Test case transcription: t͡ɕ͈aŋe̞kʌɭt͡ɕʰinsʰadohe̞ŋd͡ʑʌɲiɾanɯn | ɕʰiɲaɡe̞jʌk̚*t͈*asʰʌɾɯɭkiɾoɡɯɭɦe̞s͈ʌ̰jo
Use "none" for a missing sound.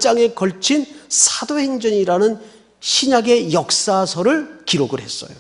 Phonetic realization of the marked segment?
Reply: s͈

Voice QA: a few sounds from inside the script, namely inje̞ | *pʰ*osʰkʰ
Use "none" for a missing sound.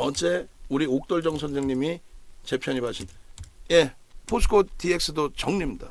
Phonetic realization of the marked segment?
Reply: pʰ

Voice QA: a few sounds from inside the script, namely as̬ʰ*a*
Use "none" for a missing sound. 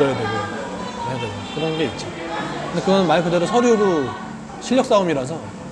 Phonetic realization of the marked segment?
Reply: ʌ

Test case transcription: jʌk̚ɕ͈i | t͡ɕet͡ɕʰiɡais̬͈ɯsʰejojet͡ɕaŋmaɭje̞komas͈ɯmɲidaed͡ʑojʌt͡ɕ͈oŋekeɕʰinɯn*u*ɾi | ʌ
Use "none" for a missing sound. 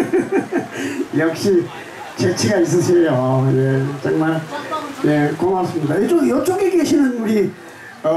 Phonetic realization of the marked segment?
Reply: u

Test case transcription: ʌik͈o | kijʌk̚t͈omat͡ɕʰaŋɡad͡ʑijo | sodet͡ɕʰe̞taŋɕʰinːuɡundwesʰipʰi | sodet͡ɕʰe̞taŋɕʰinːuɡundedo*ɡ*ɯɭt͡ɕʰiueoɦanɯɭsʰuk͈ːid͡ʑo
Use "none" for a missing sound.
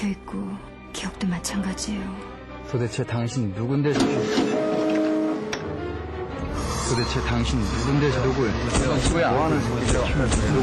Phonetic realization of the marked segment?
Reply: ɡ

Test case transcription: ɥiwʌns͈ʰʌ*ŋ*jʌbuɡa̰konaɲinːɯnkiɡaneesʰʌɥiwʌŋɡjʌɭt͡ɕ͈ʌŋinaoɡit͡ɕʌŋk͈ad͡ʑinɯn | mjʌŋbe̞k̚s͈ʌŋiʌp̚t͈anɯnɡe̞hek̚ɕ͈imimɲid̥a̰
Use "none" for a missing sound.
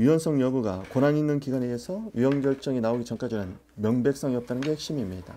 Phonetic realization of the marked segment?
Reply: ŋ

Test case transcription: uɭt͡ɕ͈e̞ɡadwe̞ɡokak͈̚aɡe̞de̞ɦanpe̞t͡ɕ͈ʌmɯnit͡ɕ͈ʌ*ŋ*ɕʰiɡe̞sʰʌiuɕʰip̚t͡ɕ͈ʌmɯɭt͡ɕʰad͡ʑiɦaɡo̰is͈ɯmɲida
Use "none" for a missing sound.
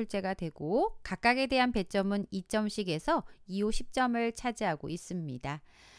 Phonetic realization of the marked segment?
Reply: m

